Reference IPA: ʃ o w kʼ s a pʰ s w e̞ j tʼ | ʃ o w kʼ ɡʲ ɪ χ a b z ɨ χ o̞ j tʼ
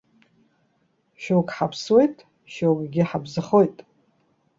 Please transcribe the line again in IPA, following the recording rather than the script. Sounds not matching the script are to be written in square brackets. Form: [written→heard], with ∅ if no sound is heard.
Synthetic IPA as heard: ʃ o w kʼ [s→ħ] a pʰ s w e̞ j tʼ | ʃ o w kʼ ɡʲ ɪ [χ→ħ] a b z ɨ χ o̞ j tʼ